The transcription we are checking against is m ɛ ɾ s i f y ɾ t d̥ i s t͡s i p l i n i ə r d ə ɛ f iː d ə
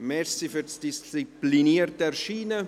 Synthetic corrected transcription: m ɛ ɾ s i f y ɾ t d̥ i s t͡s i p l i n i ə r t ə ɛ ʃ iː n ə

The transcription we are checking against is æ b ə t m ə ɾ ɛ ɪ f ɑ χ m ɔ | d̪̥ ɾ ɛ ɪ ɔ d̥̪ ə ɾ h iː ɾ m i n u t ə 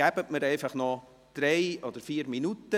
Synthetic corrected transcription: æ b ə t m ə ɾ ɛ ɪ f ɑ χ n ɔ | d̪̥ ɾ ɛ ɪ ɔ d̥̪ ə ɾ f iː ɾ m i n u t ə

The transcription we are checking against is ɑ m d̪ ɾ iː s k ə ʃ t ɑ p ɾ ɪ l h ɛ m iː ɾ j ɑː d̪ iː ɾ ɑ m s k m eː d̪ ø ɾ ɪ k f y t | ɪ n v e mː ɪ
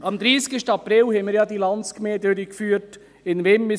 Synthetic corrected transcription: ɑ m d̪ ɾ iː s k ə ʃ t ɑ p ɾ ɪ l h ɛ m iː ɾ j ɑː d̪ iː l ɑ n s k m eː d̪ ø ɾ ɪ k f yː t | ɪ n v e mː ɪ

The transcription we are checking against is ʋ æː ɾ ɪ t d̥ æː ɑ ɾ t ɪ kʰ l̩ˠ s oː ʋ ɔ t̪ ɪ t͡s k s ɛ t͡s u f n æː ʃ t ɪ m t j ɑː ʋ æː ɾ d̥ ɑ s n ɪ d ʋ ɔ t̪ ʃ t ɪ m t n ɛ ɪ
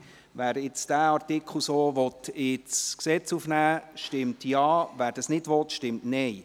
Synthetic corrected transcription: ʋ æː ɾ ɪ t͡s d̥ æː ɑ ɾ t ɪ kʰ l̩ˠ s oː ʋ ɔ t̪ ɪ t͡s k s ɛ t͡s u f n æː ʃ t ɪ m t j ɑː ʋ æː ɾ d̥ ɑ s n ɪ d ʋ ɔ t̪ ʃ t ɪ m t n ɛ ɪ

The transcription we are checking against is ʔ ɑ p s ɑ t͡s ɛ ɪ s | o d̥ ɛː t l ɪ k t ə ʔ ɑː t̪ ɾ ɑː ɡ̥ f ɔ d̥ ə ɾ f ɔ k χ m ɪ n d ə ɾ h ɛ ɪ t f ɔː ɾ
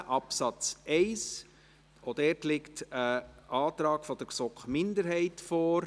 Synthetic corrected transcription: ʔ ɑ p s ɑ t͡s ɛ ɪ s | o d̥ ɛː t l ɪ k t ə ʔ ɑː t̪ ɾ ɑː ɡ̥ f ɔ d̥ ə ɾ s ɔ k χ m ɪ n d ə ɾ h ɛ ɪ t f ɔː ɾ

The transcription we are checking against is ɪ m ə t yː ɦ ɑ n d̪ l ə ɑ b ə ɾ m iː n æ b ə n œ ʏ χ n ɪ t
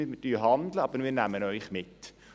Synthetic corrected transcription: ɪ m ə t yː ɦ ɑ n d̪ l ə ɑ b ə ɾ m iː n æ m ə n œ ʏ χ m ɪ t

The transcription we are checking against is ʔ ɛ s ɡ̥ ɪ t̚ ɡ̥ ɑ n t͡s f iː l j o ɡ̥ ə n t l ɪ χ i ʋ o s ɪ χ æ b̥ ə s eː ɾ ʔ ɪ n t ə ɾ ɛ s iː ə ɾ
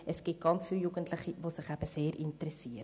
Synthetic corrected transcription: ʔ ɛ s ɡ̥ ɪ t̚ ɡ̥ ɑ n t͡s f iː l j u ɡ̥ ə n t l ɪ χ i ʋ o s ɪ χ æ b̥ ə s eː ɾ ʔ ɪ n t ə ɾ ɛ s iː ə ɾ

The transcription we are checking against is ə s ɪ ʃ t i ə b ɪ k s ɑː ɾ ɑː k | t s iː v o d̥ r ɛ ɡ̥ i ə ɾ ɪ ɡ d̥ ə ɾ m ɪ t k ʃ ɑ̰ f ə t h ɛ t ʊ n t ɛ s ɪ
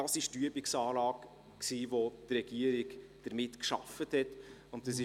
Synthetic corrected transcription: ɑ s ɪ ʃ t y ə b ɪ k s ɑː l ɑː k | k s iː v o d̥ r ɛ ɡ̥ i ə ɾ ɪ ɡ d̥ ə ɾ m ɪ t k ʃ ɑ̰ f ə t h ɛ t ʊ n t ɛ s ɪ

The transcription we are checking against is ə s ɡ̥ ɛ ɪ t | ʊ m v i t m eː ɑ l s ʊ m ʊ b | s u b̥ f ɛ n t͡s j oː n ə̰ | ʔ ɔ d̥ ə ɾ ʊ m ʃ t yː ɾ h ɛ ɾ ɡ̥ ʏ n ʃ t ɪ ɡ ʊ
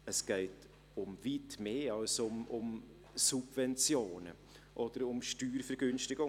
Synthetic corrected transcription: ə s ɡ̥ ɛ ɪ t | ʊ m v i t m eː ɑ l s ʊ m ʊ m | s u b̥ v ɛ n t͡s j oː n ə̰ | ʔ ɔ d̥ ə ɾ ʊ m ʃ t yː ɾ f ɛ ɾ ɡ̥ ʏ n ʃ t ɪ ɡ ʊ

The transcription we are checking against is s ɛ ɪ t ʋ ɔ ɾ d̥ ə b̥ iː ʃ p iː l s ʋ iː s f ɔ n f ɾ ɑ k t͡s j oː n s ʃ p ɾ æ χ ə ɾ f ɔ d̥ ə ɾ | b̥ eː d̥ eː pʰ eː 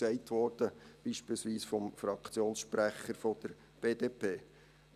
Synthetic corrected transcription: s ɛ ɪ t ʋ ɔ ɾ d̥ ə b̥ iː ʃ p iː l s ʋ iː s f ɔ m f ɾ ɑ k t͡s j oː n s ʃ p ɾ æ χ ə ɾ f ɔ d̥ ə ɾ | b̥ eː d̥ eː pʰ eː

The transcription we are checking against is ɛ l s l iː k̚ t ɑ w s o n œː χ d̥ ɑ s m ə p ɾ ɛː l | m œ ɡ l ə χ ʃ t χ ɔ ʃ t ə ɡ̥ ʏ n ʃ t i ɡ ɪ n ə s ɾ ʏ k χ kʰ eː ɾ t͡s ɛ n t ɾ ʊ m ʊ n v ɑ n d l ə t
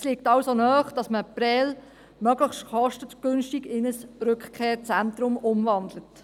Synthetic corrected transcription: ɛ s l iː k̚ t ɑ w s o n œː χ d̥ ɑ s m ə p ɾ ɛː l | m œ ɡ l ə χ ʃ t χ ɔ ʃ t ə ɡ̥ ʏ n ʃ t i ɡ ɪ n ə s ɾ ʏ k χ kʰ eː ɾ t͡s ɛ n t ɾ ʊ m ʊ m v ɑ n d l ə t

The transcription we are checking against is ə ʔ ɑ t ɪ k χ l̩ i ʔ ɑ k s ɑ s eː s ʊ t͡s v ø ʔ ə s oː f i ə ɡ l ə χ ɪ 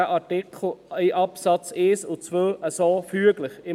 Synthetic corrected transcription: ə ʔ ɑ t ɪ k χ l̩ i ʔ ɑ p s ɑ t͡s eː s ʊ t͡s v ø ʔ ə s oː f y ə ɡ l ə χ ɪ

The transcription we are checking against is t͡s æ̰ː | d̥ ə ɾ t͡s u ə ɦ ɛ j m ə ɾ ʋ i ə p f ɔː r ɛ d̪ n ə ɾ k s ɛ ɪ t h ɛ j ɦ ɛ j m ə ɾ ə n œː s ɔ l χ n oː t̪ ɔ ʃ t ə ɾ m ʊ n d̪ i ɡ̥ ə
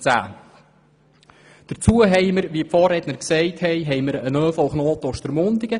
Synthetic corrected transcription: t͡s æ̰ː | d̥ ə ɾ t͡s u ə ɦ ɛ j m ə ɾ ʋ i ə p f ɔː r ɛ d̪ n ə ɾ k s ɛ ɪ t h ɛ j ɦ ɛ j m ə ɾ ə n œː f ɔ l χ n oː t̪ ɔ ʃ t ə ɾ m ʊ n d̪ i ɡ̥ ə

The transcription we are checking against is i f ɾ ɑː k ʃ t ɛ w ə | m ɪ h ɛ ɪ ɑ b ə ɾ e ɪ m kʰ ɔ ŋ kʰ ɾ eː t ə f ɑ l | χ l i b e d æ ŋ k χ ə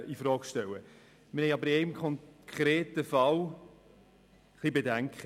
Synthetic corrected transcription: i f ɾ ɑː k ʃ t ɛ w ə | m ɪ h ɛ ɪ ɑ b ə ɾ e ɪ m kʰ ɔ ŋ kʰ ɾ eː t ə f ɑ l | χ l i b e d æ ŋ k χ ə

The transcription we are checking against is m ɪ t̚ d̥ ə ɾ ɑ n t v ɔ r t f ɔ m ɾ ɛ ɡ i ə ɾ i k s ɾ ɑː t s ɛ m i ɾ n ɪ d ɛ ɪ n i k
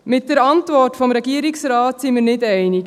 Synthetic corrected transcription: m ɪ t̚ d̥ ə ɾ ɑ n t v ɔ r t f ɔ m ɾ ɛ ɡ i ə ɾ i k s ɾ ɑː t s i m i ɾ n ɪ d ɛ ɪ n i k

